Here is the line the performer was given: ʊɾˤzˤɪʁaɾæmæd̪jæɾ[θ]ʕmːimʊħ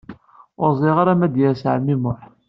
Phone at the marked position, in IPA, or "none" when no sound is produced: s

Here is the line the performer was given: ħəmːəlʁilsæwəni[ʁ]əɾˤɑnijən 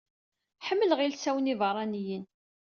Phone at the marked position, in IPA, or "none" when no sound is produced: v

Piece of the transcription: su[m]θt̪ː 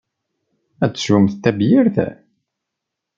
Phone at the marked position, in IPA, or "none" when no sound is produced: m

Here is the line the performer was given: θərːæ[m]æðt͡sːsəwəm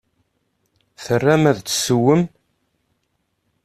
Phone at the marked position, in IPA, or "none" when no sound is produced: m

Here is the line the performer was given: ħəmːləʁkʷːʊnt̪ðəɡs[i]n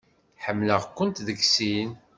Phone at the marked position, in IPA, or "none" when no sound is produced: i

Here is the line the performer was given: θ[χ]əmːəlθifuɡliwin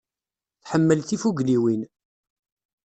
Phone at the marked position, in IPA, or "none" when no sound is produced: ħ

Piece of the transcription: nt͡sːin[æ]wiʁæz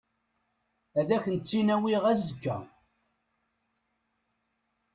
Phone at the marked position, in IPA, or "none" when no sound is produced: æ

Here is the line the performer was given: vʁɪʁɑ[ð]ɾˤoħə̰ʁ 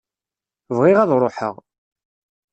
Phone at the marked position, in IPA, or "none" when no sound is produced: ð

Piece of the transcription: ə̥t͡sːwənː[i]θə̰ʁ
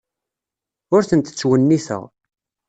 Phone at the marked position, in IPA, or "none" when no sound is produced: i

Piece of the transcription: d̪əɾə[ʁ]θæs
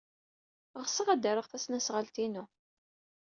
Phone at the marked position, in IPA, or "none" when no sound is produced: ʁ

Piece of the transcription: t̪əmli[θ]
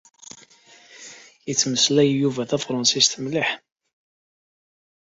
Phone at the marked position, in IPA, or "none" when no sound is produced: ħ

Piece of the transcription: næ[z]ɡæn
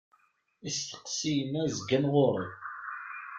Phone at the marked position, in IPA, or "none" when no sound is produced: z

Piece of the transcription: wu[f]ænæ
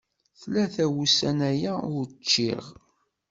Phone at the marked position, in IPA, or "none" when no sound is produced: s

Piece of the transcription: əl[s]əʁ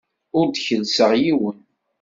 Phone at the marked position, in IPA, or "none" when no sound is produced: s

